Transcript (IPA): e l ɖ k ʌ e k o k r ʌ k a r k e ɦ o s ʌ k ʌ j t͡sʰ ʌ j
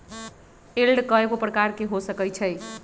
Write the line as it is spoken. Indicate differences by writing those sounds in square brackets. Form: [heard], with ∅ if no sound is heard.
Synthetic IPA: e l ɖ k ʌ e k o [p] r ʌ k a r k e ɦ o s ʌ k ʌ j t͡sʰ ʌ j